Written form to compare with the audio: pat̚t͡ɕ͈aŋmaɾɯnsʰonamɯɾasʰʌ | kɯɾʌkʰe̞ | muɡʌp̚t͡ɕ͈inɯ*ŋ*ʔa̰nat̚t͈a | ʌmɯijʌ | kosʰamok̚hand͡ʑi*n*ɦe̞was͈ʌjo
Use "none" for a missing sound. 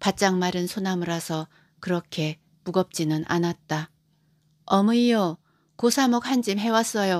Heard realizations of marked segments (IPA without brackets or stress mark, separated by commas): n, m